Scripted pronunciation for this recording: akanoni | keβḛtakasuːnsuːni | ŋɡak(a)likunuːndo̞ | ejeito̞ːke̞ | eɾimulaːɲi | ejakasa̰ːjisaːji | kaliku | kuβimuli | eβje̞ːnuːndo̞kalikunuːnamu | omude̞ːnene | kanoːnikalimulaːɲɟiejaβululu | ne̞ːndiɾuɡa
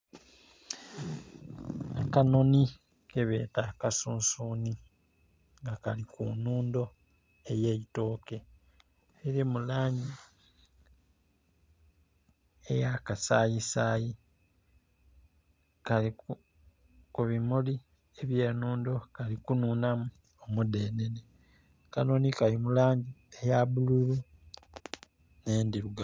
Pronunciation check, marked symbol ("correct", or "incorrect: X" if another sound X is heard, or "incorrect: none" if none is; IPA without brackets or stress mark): correct